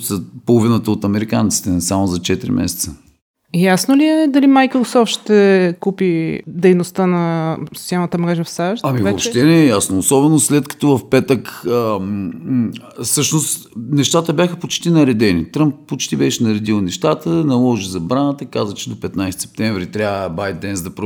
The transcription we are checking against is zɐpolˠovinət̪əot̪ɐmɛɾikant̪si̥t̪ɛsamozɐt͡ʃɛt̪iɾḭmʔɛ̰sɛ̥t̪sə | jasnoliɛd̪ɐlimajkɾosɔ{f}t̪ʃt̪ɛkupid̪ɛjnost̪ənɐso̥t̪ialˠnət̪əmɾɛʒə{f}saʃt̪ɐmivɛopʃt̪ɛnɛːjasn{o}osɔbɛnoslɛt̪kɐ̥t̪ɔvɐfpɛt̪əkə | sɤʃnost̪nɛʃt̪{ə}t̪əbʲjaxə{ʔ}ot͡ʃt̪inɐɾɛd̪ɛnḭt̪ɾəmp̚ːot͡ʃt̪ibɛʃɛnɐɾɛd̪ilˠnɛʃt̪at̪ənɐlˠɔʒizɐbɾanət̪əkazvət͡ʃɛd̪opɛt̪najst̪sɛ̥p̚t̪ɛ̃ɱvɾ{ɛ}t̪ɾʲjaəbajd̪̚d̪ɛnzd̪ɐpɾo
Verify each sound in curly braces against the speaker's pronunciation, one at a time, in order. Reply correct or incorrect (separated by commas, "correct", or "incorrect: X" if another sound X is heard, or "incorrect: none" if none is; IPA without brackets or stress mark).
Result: correct, correct, correct, incorrect: a, incorrect: p, incorrect: i